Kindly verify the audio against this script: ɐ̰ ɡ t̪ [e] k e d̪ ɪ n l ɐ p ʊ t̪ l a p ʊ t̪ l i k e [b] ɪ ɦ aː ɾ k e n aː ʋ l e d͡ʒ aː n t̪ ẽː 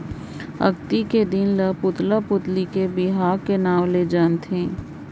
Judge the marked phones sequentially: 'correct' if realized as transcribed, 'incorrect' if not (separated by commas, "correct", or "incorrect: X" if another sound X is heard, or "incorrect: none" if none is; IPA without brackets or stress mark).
incorrect: i, correct